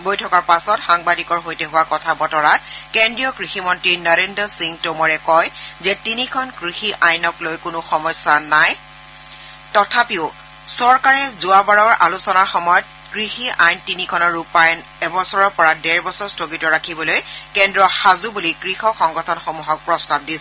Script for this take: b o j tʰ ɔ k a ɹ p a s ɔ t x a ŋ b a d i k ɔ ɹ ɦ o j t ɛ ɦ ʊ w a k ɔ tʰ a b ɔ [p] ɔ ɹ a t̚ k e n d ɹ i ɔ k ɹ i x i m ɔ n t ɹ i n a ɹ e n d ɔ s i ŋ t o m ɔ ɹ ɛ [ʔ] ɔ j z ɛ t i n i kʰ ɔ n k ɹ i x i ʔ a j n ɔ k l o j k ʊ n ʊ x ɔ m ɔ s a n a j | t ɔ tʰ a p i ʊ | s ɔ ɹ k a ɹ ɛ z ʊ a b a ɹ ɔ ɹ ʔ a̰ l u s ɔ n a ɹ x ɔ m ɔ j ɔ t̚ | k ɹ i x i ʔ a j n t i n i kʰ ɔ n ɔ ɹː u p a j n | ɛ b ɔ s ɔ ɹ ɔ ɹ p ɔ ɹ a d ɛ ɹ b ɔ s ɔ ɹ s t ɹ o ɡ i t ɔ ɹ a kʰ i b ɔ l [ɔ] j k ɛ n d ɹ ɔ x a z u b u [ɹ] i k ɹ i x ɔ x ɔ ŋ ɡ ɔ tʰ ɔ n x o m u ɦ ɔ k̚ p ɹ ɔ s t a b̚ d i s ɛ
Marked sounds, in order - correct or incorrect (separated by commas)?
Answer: incorrect, incorrect, incorrect, incorrect